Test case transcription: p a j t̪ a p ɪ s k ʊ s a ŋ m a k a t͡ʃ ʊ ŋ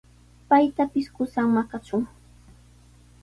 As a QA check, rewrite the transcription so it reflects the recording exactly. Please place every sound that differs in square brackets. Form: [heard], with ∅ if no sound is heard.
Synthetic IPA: p a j t̪ a p ɪ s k ʊ s a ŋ m a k a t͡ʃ ʊ ŋ